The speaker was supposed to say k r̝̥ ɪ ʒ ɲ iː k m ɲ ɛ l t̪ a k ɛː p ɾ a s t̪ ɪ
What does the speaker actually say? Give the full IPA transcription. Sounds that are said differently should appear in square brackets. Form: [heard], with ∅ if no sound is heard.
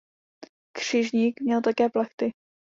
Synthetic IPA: k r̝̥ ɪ ʒ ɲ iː k m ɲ ɛ l t̪ a k ɛː p [l] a [x] t̪ ɪ